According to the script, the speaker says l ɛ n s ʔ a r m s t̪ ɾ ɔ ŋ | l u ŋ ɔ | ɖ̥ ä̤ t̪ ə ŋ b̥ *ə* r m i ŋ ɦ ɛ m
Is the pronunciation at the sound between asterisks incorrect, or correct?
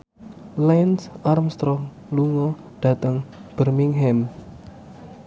correct